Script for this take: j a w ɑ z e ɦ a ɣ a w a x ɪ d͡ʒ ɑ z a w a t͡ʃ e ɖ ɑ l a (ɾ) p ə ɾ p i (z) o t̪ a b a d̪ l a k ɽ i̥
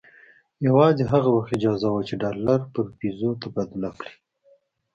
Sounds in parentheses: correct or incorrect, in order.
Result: correct, correct

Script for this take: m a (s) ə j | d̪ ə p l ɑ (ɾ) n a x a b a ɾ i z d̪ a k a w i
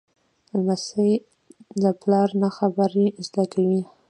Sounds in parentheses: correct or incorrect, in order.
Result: correct, correct

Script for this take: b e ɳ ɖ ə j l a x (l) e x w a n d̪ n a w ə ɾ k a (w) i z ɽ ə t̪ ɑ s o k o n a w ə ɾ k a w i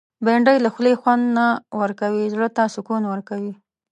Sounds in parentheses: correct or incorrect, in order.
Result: correct, correct

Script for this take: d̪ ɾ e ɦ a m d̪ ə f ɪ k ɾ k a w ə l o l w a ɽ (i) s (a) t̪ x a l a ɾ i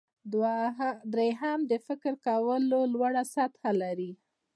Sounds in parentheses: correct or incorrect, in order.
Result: incorrect: a, correct

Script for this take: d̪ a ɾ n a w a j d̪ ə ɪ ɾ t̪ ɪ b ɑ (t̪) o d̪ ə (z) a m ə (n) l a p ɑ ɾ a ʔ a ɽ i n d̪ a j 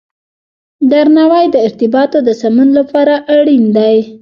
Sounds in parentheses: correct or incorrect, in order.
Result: correct, incorrect: s, correct

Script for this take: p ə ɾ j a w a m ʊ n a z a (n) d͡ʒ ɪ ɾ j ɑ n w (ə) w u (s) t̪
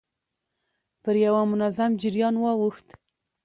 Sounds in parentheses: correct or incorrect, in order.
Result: incorrect: m, incorrect: ɑ, incorrect: x

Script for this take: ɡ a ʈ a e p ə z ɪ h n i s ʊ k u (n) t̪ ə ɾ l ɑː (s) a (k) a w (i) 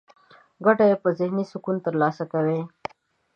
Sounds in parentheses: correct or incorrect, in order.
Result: correct, correct, correct, incorrect: e

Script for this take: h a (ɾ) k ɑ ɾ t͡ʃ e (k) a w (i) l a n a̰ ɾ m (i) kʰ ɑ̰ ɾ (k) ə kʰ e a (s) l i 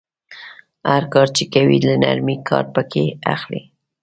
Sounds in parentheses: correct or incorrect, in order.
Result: correct, correct, correct, correct, incorrect: p, incorrect: x

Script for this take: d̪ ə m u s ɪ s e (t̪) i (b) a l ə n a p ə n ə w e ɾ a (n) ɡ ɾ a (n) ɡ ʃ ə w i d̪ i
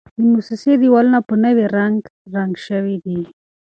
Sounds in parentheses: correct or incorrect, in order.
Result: incorrect: d̪, incorrect: w, incorrect: ŋ, incorrect: ŋ

